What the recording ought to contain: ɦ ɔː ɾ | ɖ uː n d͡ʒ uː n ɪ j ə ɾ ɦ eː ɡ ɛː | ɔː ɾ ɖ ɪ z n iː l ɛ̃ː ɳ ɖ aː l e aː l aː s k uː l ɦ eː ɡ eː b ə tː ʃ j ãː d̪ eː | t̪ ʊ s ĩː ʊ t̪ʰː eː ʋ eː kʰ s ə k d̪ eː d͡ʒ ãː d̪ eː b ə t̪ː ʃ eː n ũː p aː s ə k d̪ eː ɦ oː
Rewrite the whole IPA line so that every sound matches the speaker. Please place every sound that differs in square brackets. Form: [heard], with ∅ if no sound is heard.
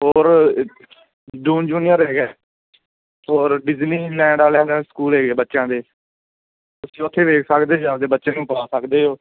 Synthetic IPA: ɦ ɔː ɾ | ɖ uː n d͡ʒ uː n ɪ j ə ɾ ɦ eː ɡ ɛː | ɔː ɾ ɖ ɪ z n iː l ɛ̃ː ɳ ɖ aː l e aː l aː s k uː l ɦ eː ɡ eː b ə tː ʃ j ãː d̪ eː | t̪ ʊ s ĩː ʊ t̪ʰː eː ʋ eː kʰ s ə k d̪ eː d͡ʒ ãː d̪ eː b ə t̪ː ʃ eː n ũː p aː s ə k d̪ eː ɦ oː